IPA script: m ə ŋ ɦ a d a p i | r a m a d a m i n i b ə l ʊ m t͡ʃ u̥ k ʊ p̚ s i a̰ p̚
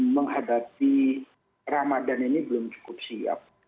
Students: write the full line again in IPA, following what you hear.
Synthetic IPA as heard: m ə ŋ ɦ a d a p i | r a m a d a n i n i b ə l ʊ m t͡ʃ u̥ k ʊ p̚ s i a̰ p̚